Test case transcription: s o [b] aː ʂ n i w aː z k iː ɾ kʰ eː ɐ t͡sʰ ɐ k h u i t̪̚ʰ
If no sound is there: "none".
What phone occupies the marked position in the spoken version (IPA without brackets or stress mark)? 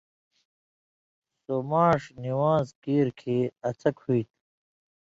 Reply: m